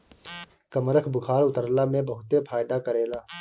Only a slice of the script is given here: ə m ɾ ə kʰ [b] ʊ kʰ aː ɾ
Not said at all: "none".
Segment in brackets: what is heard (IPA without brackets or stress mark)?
b